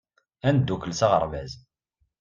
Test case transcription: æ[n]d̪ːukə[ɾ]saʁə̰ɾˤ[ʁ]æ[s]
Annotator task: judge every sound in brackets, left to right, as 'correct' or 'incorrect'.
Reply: correct, incorrect: l, incorrect: v, incorrect: z

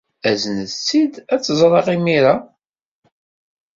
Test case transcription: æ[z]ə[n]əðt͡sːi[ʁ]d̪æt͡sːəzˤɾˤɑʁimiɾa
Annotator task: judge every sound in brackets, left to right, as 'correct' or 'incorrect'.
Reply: correct, correct, incorrect: none

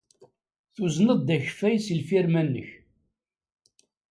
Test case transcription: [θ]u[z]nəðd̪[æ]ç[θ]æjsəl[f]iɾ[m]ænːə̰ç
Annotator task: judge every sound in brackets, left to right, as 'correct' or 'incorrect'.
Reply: correct, correct, correct, incorrect: f, correct, correct

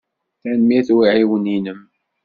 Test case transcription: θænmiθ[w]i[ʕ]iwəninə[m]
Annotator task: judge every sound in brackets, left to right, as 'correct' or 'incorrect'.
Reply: correct, correct, correct

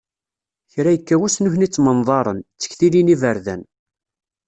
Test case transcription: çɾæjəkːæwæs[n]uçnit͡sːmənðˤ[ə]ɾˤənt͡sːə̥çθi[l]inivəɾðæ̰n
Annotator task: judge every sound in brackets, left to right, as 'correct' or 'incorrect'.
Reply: correct, incorrect: ɑ, correct

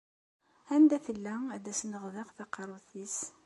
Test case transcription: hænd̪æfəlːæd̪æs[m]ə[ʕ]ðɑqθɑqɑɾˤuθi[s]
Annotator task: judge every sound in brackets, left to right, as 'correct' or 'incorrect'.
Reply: incorrect: n, incorrect: ʁ, correct

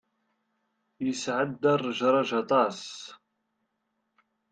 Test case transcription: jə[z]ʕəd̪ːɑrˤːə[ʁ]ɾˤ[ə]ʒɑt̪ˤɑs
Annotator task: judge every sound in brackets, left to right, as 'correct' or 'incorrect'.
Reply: incorrect: s, incorrect: ʒ, incorrect: ɑ

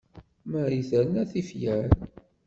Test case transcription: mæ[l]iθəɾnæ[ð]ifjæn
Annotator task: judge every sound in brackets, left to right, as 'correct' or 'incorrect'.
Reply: incorrect: ɾ, incorrect: θ

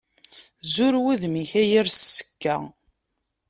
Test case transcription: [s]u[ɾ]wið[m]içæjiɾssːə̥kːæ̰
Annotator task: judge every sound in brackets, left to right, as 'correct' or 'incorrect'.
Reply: incorrect: z, correct, correct

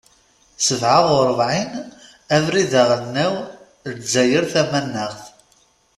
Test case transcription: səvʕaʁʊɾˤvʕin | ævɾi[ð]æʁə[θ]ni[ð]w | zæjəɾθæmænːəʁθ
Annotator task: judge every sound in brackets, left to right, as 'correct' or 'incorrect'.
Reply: correct, correct, incorrect: none

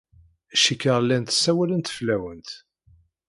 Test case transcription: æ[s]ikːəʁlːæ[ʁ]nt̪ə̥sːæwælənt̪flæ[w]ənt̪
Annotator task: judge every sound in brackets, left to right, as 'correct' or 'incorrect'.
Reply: incorrect: ʃ, incorrect: none, correct

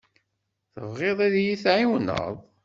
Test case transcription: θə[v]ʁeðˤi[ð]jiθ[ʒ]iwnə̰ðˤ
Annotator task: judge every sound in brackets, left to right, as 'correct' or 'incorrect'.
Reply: correct, correct, incorrect: ʕ

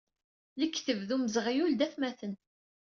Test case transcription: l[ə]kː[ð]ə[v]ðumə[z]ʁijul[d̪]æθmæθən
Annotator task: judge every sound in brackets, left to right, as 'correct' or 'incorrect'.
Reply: correct, incorrect: θ, correct, correct, correct

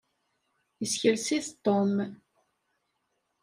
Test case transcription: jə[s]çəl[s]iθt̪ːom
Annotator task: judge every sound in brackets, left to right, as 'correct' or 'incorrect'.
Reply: correct, correct

